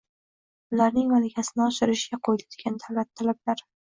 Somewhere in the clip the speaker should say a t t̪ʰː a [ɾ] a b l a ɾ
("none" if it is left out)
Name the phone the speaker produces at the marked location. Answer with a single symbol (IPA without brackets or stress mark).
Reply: l